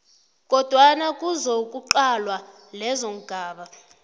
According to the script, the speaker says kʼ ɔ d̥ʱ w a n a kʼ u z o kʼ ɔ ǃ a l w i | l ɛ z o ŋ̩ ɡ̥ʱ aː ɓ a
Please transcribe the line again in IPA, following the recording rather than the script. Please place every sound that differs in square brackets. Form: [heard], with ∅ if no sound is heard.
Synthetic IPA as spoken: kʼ ɔ d̥ʱ w a n a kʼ u z o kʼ [u] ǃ a l w [a] | l ɛ z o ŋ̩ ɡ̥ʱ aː ɓ a